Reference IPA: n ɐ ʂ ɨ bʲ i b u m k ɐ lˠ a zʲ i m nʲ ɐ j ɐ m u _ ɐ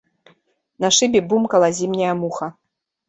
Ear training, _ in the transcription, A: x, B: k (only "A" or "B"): A